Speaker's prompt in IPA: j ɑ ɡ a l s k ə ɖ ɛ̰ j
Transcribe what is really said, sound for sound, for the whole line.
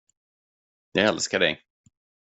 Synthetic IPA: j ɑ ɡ ɛ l s k a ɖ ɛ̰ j